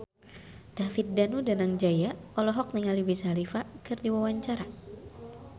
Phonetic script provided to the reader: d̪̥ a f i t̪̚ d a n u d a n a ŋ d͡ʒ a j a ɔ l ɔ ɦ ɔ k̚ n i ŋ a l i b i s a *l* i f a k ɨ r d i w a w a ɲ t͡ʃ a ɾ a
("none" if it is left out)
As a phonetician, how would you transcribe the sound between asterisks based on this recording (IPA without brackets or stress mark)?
l